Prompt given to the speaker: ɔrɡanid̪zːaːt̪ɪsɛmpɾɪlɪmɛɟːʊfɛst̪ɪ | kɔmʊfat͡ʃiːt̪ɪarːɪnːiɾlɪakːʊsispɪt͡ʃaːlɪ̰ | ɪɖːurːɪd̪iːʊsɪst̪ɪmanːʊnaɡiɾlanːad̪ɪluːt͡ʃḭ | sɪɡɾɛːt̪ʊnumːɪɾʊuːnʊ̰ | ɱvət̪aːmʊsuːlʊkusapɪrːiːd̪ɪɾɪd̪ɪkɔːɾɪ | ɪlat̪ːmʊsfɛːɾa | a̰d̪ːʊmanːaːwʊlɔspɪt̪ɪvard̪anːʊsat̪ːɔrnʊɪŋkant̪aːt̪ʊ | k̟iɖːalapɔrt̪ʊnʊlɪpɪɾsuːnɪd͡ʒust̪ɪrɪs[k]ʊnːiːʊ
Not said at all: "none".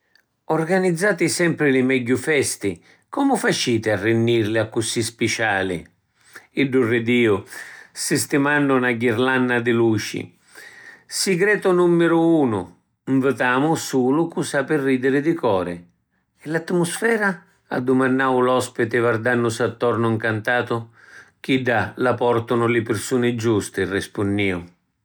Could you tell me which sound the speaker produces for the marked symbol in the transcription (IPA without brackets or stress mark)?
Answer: p